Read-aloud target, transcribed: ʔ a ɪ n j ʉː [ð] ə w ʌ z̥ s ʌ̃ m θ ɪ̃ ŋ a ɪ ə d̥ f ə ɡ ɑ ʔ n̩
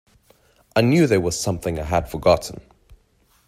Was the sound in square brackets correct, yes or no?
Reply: yes